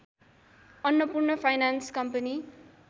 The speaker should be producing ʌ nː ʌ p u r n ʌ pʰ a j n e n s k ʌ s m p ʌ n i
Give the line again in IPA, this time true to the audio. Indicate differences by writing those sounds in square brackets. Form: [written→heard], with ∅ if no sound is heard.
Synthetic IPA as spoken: ʌ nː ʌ p u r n ʌ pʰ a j n [e→a] n s k ʌ [s→∅] m p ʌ n i